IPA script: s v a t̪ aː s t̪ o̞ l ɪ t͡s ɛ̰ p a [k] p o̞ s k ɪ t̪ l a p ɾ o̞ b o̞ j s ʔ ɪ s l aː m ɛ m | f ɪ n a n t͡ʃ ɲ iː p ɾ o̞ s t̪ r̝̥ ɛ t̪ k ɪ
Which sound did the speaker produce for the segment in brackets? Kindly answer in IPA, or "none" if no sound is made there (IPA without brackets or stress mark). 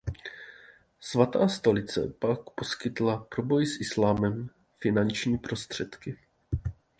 k